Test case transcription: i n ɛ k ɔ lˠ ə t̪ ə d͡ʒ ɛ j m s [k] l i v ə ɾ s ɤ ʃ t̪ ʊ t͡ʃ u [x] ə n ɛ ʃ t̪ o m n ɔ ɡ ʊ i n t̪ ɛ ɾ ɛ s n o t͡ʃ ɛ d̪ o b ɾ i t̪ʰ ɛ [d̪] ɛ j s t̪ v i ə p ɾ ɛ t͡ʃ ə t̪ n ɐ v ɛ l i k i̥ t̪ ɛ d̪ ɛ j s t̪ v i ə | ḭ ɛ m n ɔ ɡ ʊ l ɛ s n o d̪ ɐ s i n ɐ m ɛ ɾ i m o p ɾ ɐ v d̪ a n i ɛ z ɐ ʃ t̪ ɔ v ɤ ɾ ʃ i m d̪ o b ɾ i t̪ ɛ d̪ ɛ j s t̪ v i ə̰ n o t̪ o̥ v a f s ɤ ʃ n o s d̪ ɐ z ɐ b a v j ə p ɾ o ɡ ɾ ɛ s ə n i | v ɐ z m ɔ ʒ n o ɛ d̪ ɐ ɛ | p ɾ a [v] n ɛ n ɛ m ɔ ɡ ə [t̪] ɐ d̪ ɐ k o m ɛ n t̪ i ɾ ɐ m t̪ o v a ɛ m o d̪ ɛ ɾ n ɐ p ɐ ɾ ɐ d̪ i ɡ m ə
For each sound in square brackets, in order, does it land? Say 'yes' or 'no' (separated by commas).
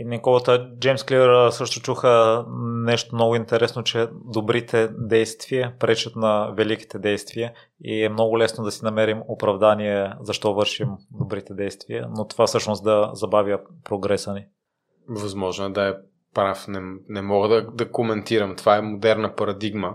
yes, yes, yes, no, no